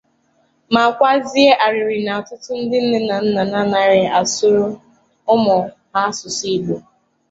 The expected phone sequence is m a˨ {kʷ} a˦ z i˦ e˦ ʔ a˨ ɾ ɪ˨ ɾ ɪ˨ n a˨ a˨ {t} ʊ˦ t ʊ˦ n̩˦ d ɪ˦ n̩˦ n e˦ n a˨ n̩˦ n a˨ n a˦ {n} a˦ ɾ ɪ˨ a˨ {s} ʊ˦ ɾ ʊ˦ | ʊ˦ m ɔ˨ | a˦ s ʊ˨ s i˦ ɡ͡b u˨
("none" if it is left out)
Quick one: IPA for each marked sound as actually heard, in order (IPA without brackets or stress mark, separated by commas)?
kʷ, t, n, s